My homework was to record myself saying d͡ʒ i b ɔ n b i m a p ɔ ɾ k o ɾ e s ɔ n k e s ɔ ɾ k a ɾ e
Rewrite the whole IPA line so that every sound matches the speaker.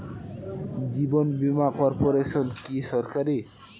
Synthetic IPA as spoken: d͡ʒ i b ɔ n b i m a k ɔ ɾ p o ɾ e s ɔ n k i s ɔ ɾ k a ɾ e

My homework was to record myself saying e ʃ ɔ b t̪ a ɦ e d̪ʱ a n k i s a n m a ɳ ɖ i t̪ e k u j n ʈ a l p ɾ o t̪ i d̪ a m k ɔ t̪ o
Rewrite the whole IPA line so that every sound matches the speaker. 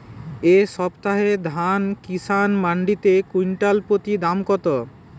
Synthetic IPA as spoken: e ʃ ɔ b t̪ a ɦ e d̪ʱ a n k i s a n m a ɳ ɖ i t̪ e k u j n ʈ a l p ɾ o t̪ i d̪ a m k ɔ t̪ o

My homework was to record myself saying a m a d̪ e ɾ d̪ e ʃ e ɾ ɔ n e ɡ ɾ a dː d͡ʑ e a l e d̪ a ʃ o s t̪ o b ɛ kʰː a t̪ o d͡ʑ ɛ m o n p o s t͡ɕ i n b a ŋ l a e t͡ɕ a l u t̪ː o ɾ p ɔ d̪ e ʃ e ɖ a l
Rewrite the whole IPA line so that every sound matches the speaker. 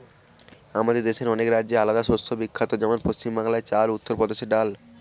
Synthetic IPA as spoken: a m a d̪ e ɾ d̪ e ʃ e ɾ ɔ n e k ɾ a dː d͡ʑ e a l a d̪ a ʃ o s t̪ʰ o b i kʰː a t̪ o d͡ʑ ɛ m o n p o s t͡ɕ i m b a ŋ l a e t͡ɕ a l u t̪ː o ɾ p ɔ d̪ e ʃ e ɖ a l

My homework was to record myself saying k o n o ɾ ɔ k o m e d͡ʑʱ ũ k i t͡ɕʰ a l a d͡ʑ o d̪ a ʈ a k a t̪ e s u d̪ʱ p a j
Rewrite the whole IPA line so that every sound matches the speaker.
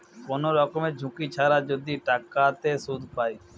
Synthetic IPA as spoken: k o n o ɾ ɔ k o m e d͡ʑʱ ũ k i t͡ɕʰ a ɾ a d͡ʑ o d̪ i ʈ a k a t̪ e s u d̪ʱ p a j

